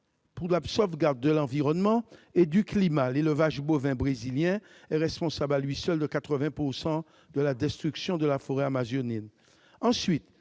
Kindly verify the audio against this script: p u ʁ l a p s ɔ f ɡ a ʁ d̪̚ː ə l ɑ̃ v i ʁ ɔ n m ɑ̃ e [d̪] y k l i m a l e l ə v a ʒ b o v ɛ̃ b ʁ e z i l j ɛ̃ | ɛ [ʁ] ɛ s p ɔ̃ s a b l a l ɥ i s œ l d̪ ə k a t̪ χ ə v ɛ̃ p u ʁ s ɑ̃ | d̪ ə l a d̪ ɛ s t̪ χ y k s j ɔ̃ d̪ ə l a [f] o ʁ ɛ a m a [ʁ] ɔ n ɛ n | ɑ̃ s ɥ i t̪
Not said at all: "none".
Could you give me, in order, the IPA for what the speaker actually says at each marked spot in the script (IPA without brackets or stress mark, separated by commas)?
d̪, ʁ, f, z